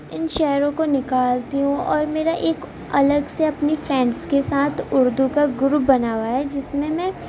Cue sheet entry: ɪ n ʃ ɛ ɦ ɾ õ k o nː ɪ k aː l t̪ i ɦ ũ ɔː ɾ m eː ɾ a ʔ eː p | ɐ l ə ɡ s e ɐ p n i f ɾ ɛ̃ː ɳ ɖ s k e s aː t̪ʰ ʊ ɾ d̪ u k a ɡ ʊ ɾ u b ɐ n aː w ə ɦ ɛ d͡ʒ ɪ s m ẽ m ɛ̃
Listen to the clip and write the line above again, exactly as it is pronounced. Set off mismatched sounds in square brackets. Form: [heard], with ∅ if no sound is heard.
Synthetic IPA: ɪ n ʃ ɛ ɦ ɾ õ k o [n] ɪ k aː l t̪ i ɦ ũ ɔː ɾ m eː ɾ a ʔ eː [k] | ɐ l ə ɡ s e ɐ p n i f ɾ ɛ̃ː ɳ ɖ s k e s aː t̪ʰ ʊ ɾ d̪ u k a ɡ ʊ ɾ u b ɐ n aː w [a] ɦ ɛ d͡ʒ ɪ s m ẽ m ɛ̃